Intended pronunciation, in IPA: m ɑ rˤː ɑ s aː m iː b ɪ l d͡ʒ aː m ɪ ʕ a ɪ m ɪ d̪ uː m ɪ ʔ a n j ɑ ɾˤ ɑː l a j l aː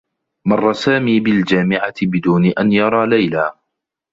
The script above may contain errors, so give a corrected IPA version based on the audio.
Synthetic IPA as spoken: m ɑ rˤː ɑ s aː m iː b ɪ l d͡ʒ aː m ɪ ʕ a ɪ b ɪ d̪ uː n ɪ ʔ a n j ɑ ɾˤ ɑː l a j l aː